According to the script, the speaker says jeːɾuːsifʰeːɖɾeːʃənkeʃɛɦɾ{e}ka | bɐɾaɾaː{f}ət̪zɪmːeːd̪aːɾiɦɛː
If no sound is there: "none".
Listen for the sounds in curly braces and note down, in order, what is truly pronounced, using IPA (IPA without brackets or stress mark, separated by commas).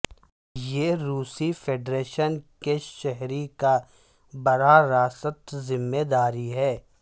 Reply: i, s